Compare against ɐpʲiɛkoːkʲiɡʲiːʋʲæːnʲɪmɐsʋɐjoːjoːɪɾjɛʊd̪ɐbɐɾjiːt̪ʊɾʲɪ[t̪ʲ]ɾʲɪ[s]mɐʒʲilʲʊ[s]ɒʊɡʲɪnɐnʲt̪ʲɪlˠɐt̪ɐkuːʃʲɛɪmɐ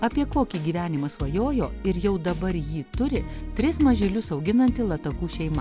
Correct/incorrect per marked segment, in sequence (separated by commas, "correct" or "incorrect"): correct, correct, correct